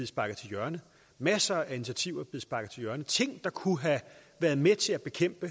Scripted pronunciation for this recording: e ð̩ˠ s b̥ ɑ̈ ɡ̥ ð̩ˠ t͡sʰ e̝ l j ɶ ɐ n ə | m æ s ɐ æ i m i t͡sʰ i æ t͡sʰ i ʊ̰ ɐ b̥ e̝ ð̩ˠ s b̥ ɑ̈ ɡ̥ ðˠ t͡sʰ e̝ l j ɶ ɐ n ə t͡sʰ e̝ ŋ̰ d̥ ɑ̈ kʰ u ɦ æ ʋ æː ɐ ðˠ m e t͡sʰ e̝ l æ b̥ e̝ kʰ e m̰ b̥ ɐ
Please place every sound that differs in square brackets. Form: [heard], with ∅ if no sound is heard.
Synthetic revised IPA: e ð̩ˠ s b̥ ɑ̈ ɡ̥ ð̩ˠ t͡sʰ e̝ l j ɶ ɐ n ə | m æ s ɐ æ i [n] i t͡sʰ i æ t͡sʰ i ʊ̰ ɐ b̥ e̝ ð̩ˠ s b̥ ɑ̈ ɡ̥ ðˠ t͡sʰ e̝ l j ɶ ɐ n ə t͡sʰ e̝ ŋ̰ d̥ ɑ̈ kʰ u ɦ æ ʋ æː ɐ ðˠ m e t͡sʰ e̝ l æ b̥ e̝ kʰ e m̰ b̥ [ə]